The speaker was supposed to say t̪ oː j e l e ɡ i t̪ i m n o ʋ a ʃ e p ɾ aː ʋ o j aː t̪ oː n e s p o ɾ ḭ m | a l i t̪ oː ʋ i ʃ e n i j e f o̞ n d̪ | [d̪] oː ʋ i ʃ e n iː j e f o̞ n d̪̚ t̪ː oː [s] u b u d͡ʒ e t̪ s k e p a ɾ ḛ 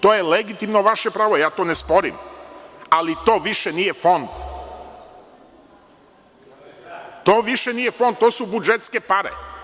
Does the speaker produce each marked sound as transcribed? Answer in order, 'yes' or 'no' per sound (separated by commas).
no, yes